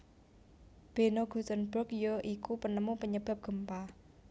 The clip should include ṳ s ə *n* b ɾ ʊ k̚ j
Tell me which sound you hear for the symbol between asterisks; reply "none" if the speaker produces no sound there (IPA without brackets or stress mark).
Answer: n